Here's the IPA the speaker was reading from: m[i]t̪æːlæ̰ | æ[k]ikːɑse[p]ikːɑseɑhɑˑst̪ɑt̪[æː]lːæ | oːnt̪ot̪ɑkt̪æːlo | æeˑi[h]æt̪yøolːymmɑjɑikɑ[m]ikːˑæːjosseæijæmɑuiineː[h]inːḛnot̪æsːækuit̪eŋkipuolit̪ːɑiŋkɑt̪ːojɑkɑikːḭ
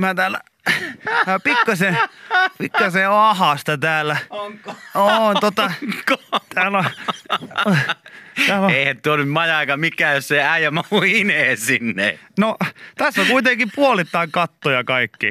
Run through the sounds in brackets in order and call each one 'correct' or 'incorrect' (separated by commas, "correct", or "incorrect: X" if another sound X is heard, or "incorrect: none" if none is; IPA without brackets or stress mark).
incorrect: æ, incorrect: p, correct, correct, correct, correct, incorrect: s